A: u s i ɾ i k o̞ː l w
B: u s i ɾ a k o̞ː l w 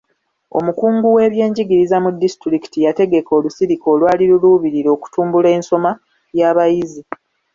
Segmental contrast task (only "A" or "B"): A